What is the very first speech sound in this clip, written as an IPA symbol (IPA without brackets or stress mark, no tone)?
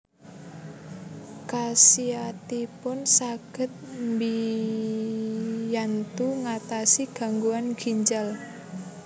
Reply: k